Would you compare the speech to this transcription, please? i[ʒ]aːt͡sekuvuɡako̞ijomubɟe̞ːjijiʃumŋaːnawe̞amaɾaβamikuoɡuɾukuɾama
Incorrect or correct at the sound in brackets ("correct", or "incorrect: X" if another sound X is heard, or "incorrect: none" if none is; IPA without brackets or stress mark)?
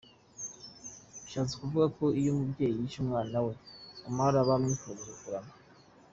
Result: incorrect: ʃ